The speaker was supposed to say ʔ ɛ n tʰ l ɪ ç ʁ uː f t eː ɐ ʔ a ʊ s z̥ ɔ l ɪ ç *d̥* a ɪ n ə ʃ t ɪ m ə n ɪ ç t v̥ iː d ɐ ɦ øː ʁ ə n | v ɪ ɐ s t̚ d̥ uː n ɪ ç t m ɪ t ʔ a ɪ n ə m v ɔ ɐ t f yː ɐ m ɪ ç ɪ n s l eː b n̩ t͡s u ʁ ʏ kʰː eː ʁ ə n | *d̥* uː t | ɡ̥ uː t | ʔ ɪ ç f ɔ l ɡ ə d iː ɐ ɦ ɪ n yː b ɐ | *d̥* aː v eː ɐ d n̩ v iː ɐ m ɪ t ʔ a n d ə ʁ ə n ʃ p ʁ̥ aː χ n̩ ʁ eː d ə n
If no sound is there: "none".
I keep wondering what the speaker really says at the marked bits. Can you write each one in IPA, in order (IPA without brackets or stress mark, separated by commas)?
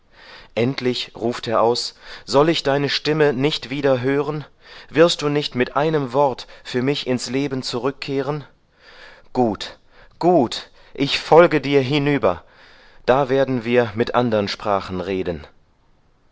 d̥, ɡ̥, d̥